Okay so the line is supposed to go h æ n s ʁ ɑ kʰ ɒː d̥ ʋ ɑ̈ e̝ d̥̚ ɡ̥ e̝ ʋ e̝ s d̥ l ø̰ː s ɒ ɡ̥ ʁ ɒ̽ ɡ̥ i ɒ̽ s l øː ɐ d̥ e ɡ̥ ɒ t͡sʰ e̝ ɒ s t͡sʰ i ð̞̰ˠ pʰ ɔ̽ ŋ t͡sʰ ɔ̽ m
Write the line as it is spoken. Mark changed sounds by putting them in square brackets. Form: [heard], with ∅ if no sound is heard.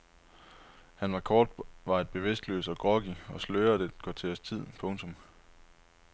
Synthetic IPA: h æ n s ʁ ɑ kʰ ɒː d̥ ʋ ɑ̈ e̝ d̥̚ [b̥] e̝ ʋ e̝ s d̥ l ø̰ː s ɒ ɡ̥ ʁ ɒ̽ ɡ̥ i ɒ̽ s l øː ɐ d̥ e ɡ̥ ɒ t͡sʰ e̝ ɒ s t͡sʰ i ð̞̰ˠ pʰ ɔ̽ ŋ t͡sʰ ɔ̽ m